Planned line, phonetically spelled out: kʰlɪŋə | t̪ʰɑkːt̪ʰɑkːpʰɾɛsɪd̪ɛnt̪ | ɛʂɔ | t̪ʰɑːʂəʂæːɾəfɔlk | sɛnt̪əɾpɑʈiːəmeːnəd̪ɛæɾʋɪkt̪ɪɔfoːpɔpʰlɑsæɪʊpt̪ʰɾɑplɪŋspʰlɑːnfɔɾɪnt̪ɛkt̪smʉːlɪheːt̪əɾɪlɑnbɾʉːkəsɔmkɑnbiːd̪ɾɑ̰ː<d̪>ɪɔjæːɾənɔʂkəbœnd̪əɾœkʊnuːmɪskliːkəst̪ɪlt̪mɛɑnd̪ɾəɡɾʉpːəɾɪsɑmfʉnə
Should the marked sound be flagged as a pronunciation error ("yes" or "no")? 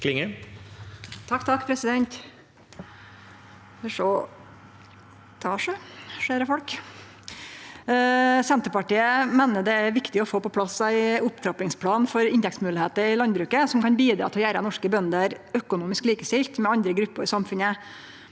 yes